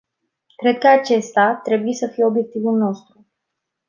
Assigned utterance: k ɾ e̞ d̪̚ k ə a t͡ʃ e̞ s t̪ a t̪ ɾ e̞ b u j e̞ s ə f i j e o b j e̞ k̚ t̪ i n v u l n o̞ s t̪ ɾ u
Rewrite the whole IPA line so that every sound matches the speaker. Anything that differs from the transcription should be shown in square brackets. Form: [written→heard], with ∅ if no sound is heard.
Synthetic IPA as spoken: k ɾ e̞ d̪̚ k ə a t͡ʃ e̞ s t̪ a t̪ ɾ e̞ b u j e̞ s ə f i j e o b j e̞ k̚ t̪ i [n→∅] v u l n o̞ s t̪ ɾ u